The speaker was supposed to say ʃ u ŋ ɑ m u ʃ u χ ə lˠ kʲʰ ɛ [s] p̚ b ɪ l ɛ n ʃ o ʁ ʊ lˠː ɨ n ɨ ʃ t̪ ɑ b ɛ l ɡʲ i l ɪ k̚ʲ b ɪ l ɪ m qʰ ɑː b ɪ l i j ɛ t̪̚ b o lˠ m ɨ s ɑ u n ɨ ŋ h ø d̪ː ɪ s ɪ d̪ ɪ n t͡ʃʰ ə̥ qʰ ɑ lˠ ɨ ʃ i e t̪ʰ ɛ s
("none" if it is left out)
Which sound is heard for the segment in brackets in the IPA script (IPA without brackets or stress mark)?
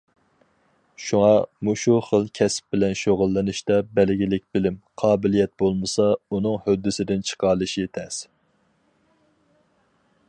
s